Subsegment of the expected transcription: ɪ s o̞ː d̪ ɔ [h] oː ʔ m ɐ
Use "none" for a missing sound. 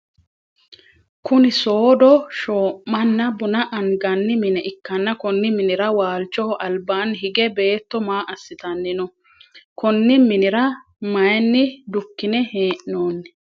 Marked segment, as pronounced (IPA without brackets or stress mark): ʃ